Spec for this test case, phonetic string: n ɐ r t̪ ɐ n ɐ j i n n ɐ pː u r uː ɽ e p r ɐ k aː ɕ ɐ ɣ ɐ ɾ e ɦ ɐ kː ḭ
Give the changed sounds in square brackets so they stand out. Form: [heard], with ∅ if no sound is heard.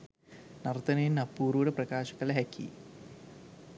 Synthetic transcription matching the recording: n ɐ r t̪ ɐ n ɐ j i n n ɐ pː [uː] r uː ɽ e p r ɐ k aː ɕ ɐ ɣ ɐ [l] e ɦ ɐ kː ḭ